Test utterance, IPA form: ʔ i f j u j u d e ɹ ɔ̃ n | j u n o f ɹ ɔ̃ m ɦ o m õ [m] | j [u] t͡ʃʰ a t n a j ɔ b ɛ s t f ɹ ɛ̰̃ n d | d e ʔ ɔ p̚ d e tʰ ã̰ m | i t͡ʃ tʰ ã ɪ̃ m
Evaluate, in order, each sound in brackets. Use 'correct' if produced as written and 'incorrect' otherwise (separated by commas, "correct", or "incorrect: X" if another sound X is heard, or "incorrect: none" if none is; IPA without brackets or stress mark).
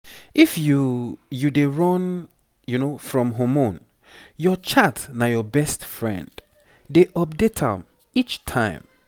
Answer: incorrect: n, incorrect: ɔ